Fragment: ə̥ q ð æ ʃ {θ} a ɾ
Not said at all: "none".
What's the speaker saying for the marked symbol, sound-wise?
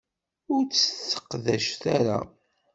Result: θ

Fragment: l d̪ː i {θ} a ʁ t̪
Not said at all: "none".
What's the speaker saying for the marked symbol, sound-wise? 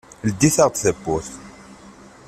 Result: θ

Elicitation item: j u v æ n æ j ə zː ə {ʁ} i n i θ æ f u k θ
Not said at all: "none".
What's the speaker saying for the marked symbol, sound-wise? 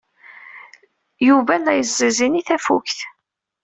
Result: z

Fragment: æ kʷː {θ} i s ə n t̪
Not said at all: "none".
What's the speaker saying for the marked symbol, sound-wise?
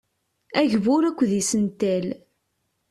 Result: ð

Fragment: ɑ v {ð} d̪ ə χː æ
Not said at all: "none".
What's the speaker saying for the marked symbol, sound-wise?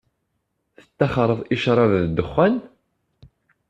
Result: ð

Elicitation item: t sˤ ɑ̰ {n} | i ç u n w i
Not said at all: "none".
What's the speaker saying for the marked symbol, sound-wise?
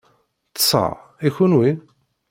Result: none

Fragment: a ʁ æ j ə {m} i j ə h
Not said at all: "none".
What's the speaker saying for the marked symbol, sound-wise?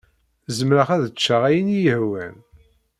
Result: n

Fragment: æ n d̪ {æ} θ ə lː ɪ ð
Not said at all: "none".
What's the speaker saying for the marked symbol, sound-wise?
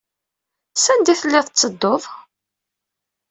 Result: i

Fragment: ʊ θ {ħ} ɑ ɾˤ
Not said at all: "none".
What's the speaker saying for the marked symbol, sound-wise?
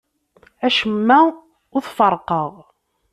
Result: f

